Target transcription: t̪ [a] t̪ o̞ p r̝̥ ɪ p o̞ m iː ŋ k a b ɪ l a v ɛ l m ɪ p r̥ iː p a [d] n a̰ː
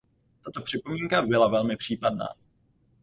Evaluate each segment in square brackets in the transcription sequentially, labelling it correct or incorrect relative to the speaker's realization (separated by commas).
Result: correct, correct